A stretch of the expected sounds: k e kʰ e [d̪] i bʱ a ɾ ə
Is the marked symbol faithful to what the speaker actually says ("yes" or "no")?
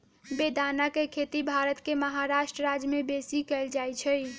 no